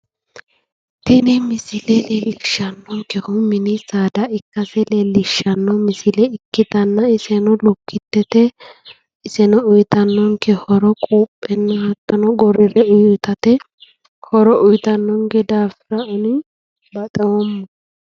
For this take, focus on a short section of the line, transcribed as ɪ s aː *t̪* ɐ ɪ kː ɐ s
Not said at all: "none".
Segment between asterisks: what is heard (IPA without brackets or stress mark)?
d̪